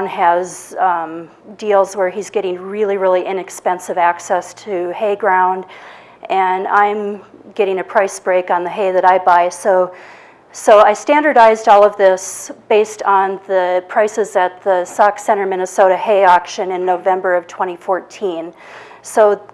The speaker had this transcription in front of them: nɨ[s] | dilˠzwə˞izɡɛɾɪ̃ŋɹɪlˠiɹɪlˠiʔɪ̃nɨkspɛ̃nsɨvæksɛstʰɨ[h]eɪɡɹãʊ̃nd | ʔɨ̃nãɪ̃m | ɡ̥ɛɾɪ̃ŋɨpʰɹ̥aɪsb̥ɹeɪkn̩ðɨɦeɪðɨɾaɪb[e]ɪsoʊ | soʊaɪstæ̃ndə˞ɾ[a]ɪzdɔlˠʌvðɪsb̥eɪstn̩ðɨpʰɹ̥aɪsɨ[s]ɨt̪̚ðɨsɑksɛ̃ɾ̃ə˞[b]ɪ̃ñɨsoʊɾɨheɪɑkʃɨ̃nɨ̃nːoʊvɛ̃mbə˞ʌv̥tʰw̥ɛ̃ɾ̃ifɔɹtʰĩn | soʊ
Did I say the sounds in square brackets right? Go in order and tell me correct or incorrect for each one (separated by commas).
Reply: incorrect, correct, incorrect, correct, incorrect, incorrect